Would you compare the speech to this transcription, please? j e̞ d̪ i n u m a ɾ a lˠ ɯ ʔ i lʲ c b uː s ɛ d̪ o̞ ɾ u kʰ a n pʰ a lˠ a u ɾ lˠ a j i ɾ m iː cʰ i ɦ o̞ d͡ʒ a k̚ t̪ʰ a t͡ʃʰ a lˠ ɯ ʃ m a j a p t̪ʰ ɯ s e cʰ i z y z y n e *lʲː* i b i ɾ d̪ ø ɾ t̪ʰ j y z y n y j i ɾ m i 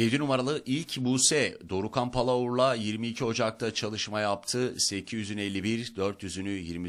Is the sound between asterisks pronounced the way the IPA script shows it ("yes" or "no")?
yes